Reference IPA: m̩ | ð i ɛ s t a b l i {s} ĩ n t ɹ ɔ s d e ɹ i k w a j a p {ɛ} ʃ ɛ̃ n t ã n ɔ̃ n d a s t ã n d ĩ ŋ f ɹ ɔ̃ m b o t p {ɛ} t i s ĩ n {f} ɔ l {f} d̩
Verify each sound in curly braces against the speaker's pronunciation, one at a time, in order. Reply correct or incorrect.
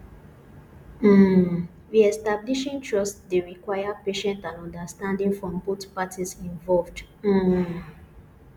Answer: incorrect: ʃ, incorrect: e, incorrect: a, incorrect: v, incorrect: v

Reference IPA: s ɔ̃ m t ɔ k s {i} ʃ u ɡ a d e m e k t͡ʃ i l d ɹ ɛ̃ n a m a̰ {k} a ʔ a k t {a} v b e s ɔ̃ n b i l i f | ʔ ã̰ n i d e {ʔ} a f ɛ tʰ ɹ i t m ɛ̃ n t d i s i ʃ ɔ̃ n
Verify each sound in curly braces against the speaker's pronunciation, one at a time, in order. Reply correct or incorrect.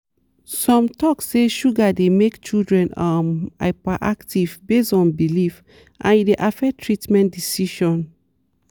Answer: incorrect: e, incorrect: p, incorrect: i, correct

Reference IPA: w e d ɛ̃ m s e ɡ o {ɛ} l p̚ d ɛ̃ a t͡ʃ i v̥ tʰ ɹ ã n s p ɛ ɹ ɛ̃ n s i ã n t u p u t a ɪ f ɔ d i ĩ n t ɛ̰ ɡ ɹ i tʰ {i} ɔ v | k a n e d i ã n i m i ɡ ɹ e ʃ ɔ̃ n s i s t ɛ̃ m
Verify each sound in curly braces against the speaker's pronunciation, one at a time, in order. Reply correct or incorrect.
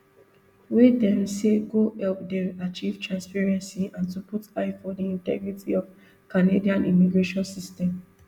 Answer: correct, correct

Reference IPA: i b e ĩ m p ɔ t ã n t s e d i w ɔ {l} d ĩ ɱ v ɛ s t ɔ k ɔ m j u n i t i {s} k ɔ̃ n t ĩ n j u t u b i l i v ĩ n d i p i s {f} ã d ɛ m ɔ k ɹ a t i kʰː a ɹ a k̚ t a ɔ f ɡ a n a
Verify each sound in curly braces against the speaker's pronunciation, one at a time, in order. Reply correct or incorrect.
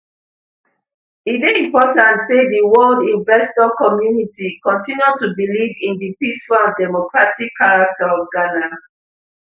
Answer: correct, incorrect: none, correct

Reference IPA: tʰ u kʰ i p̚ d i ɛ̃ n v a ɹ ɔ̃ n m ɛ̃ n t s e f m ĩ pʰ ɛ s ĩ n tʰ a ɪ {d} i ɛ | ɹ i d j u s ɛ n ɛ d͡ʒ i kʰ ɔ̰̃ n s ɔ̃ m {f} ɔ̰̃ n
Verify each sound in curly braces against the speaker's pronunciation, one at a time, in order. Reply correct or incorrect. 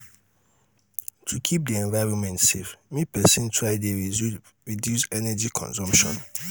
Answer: correct, incorrect: ʃ

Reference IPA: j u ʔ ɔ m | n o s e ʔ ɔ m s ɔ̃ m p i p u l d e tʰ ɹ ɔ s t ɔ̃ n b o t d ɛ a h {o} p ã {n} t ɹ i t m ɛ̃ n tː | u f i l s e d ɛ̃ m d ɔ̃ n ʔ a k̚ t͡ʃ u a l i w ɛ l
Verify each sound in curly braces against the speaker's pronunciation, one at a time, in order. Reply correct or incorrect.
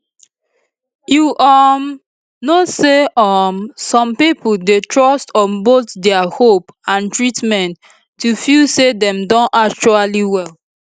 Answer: correct, correct

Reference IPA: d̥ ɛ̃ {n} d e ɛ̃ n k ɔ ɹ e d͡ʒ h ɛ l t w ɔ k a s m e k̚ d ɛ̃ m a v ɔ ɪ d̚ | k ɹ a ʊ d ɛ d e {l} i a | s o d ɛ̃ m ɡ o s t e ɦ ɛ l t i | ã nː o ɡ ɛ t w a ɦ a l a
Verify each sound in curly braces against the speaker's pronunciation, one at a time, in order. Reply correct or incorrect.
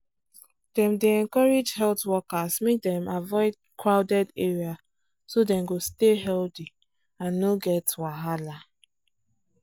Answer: incorrect: m, incorrect: ɹ

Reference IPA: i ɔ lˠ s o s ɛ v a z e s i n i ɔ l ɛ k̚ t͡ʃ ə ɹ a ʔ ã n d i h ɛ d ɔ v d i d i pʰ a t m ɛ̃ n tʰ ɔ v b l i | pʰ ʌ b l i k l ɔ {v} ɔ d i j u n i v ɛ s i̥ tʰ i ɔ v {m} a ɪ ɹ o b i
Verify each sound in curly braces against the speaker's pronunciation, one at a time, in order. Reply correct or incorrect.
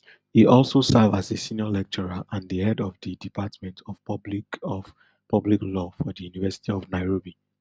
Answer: incorrect: f, incorrect: n

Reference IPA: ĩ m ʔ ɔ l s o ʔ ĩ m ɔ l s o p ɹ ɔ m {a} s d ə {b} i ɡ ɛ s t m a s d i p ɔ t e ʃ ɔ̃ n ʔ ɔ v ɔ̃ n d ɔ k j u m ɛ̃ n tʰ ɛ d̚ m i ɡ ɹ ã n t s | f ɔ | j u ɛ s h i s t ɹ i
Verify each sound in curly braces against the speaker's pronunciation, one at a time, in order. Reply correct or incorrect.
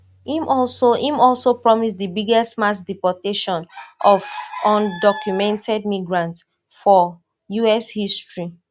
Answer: incorrect: i, correct

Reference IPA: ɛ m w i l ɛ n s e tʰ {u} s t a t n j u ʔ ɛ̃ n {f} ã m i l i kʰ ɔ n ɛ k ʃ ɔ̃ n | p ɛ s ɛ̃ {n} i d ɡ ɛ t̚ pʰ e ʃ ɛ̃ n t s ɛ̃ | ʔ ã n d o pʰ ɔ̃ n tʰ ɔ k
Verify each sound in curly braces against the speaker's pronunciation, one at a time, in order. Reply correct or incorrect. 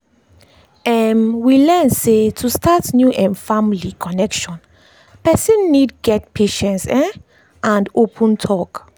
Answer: correct, correct, incorrect: nː

